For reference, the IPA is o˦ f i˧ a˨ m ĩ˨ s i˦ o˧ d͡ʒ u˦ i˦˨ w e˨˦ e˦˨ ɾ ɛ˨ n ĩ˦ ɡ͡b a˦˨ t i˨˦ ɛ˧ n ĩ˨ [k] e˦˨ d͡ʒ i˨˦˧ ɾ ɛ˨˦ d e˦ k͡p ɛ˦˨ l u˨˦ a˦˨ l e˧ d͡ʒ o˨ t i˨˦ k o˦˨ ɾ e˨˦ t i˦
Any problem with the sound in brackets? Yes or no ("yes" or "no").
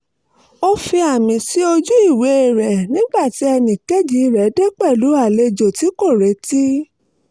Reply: no